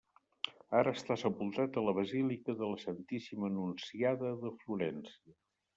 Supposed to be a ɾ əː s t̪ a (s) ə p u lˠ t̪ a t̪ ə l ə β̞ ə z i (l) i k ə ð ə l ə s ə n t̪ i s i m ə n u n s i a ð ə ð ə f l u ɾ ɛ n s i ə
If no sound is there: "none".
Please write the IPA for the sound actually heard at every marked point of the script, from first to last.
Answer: s, l

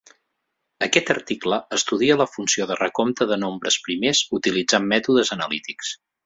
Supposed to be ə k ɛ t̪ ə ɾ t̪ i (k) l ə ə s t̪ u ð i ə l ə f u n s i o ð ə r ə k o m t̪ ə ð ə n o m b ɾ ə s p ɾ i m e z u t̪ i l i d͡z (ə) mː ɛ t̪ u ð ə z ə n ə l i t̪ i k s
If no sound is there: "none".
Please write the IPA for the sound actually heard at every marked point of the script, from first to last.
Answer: k, a

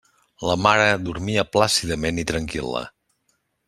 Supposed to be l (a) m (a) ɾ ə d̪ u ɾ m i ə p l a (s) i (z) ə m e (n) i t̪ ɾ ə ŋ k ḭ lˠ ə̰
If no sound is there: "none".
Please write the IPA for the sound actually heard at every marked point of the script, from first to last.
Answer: ə, a, s, ð, n

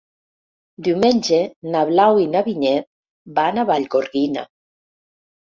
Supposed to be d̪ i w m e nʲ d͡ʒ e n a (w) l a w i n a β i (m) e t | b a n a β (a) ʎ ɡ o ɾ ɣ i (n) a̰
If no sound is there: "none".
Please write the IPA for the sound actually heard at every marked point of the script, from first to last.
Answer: β, ɲ, a, n

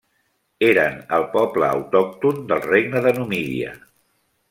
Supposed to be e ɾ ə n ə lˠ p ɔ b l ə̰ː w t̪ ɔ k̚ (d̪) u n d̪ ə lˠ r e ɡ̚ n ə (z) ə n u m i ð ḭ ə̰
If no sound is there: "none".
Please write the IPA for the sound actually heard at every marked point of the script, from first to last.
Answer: t̪, ð

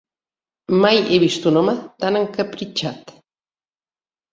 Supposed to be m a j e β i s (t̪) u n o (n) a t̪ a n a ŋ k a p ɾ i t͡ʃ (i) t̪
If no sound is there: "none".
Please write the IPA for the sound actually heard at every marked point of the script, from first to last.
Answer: t̪, m, a

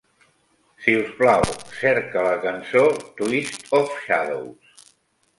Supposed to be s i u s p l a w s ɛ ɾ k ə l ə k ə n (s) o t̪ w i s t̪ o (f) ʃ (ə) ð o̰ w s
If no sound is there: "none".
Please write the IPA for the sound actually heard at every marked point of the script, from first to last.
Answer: s, f, a

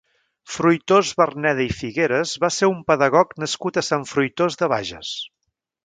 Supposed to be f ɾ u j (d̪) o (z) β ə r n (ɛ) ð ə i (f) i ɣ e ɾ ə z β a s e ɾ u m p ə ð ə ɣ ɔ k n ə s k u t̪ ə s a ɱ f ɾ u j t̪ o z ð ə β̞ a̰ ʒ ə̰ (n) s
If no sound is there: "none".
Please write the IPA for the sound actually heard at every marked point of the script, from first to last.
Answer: t̪, z, ɛ, f, none

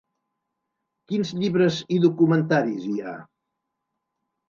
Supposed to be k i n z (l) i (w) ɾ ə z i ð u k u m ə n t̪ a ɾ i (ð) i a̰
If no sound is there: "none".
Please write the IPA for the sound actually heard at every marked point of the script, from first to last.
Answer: ʎ, β, z

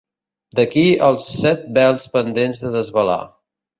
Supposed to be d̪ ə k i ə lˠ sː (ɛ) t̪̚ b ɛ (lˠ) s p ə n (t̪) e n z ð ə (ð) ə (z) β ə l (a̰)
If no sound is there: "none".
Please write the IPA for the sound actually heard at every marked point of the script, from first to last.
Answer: ɛ, lˠ, d̪, ð, z, a̰

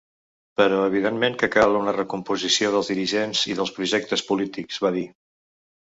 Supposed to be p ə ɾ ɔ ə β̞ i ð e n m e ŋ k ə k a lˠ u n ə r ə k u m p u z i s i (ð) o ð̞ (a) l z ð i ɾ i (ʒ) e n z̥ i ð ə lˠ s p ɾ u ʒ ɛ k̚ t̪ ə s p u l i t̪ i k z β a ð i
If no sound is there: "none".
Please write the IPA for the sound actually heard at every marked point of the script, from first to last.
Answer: none, ə, ʒ

